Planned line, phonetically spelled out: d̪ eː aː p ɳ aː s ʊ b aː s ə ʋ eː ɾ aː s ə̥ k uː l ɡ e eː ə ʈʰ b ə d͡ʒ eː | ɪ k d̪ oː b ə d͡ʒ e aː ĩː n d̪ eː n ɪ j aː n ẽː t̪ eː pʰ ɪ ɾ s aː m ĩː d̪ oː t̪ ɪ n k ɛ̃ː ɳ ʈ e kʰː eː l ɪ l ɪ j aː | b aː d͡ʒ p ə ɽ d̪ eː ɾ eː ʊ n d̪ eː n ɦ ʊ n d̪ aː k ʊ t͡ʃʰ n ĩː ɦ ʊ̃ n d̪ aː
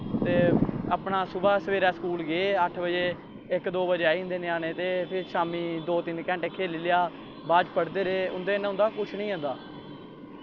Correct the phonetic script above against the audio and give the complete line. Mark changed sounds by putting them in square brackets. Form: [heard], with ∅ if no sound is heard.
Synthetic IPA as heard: [t̪] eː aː p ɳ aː s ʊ b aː s ə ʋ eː ɾ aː s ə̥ k uː l ɡ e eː ə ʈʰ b ə d͡ʒ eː | ɪ k d̪ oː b ə d͡ʒ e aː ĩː n d̪ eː n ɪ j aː n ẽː t̪ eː pʰ ɪ ɾ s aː m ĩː d̪ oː t̪ ɪ n k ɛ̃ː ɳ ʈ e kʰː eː l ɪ l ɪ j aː | b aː d͡ʒ p ə ɽ d̪ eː ɾ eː ʊ n d̪ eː n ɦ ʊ n d̪ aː k ʊ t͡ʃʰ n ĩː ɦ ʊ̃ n d̪ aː